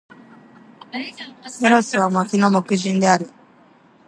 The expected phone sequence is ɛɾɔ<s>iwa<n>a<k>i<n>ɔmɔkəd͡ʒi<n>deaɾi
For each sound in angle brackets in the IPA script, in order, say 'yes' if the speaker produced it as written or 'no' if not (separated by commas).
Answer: yes, no, yes, yes, yes